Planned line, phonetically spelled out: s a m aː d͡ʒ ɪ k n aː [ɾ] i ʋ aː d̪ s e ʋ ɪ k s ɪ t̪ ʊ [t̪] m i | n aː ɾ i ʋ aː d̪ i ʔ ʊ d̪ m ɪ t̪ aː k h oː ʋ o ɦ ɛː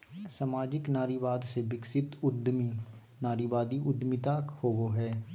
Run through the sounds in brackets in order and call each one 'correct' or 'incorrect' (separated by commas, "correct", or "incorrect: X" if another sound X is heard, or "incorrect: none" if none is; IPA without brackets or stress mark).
correct, incorrect: d̪